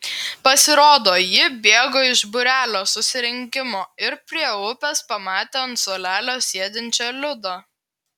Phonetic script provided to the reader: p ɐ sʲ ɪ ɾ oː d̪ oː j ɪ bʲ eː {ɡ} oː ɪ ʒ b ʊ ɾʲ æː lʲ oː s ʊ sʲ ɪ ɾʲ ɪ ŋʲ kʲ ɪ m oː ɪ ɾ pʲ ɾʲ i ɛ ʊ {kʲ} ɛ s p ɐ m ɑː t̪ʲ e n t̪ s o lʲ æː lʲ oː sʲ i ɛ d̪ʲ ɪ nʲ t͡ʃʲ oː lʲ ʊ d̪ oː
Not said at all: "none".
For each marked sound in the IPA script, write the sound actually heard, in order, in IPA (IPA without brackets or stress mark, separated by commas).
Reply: ɡ, pʲ